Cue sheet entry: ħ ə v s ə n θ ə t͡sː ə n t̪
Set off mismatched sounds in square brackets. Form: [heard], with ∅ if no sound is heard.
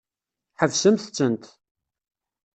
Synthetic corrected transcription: ħ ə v s ə [m] θ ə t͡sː ə n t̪